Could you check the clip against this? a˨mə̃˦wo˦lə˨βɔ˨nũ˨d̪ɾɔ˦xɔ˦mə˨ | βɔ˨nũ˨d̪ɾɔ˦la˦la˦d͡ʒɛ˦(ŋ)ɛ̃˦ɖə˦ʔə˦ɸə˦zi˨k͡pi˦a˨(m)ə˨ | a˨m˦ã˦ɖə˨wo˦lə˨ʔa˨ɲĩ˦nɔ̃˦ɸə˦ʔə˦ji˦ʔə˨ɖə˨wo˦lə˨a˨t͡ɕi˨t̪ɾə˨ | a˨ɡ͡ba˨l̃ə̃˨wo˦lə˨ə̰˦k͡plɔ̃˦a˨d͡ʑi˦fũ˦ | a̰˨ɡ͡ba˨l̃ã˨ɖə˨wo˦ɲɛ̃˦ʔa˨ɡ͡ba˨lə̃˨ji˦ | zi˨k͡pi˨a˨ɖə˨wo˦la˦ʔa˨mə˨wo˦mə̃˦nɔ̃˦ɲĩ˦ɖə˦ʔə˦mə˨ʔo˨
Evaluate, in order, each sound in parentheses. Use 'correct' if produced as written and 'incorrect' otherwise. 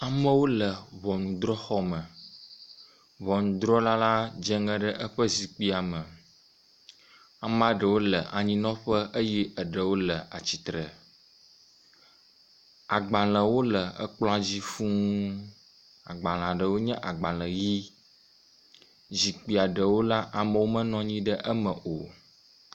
correct, correct

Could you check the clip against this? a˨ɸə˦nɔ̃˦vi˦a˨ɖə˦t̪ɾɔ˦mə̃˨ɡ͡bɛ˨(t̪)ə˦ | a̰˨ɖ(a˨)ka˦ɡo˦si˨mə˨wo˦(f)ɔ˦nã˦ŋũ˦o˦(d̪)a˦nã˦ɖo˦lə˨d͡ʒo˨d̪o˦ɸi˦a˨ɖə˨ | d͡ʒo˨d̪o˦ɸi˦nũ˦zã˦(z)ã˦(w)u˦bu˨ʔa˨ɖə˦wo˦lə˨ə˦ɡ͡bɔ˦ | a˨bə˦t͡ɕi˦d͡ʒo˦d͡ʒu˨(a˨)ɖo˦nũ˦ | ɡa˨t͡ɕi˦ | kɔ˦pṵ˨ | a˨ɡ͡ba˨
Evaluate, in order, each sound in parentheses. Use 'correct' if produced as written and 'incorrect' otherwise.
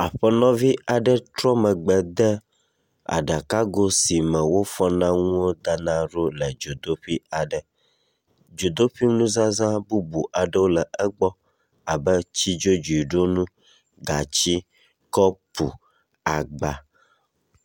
incorrect, correct, correct, correct, correct, incorrect, incorrect

